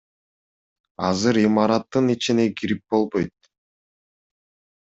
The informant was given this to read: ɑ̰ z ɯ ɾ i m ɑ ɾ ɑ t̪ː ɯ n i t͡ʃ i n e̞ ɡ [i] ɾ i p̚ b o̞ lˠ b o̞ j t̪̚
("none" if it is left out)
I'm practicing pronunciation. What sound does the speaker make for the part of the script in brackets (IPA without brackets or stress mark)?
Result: i